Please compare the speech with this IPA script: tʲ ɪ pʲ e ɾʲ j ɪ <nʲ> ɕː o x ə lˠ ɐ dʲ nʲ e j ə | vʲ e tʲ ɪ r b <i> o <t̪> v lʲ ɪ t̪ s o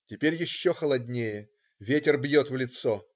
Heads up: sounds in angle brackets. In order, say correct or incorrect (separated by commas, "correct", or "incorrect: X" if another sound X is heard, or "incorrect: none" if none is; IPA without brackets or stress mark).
incorrect: none, incorrect: j, correct